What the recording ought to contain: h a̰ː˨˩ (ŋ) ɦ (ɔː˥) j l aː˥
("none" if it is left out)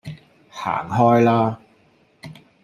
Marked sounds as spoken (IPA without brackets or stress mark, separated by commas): ŋ, ɔː˥